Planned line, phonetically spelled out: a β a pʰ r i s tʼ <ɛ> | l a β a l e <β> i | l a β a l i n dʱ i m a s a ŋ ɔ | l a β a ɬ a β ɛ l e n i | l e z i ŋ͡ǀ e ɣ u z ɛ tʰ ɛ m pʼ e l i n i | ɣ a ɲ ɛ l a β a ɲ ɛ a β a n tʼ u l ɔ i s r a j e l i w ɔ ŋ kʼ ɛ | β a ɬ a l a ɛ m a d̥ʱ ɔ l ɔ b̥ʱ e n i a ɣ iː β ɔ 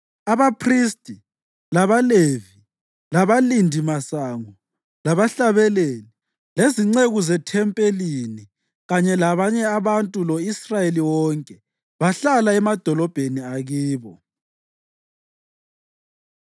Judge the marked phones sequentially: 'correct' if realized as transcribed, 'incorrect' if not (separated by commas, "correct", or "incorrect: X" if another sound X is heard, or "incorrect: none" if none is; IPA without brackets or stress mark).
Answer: incorrect: i, incorrect: v